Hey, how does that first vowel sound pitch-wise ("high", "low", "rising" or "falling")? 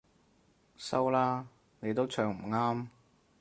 high